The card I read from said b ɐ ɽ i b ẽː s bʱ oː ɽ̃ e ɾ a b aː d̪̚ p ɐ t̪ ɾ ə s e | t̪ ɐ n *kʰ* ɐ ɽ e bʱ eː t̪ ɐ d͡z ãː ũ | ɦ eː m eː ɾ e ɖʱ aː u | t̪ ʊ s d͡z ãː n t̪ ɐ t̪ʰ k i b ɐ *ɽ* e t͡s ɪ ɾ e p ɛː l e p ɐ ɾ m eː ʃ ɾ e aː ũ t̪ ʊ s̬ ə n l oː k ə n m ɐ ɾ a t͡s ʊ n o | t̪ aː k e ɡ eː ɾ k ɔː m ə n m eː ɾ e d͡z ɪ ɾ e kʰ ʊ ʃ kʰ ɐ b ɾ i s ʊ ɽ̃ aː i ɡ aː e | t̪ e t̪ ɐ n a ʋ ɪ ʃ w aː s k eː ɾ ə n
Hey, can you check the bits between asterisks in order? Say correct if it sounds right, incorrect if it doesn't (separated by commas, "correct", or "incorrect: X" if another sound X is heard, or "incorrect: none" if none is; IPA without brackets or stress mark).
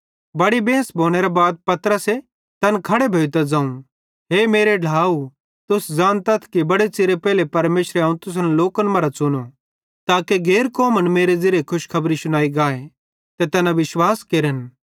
correct, correct